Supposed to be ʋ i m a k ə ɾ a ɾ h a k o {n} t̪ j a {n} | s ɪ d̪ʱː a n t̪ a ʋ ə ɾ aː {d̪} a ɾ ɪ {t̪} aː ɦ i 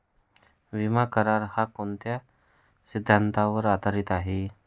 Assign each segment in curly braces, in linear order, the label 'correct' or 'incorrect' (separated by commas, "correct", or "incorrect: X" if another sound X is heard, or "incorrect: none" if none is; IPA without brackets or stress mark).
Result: correct, incorrect: none, correct, correct